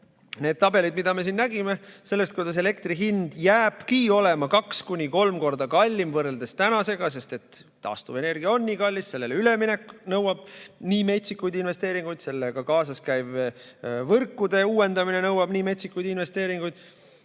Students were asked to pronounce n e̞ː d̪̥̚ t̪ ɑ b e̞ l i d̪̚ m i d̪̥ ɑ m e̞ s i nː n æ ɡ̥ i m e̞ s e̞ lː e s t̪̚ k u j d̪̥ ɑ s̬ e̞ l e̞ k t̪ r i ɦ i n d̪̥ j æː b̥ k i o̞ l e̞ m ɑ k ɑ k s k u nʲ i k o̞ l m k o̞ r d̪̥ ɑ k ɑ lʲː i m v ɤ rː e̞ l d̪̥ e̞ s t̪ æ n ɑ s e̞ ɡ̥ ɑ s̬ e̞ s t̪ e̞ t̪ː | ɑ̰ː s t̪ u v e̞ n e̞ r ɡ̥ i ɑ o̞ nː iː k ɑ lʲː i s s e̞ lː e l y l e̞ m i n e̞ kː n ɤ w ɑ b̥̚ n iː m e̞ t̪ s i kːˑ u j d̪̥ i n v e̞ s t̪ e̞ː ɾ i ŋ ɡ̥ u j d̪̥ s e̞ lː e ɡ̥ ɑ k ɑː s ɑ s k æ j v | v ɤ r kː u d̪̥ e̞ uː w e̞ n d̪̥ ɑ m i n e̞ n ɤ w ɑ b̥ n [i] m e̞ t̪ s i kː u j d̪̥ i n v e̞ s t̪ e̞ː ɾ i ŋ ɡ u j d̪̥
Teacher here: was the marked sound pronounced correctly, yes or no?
no